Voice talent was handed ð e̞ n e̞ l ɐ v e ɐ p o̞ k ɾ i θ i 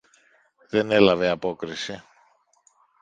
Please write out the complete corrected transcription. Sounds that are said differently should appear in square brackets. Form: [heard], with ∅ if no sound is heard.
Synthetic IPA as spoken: ð e̞ n e̞ l ɐ v e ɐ p o̞ k ɾ i [s] i